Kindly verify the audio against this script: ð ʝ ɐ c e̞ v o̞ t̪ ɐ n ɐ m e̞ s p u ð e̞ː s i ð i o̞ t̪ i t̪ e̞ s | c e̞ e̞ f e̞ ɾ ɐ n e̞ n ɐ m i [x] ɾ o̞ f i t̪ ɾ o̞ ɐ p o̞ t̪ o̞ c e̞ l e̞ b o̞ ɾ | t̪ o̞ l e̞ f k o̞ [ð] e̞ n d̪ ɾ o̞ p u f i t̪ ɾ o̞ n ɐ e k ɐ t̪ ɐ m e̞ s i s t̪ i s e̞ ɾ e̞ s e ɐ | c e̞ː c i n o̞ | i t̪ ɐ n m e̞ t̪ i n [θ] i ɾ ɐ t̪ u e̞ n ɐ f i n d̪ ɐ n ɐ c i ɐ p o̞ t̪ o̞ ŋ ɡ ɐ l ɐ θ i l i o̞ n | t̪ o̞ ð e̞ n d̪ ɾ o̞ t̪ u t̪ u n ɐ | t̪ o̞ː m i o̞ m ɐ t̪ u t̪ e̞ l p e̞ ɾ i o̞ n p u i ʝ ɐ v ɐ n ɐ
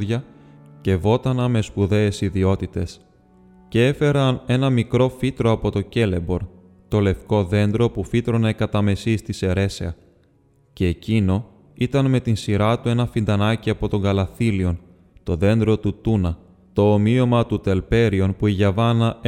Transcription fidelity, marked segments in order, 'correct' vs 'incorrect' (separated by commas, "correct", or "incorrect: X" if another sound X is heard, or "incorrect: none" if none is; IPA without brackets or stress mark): incorrect: k, correct, incorrect: s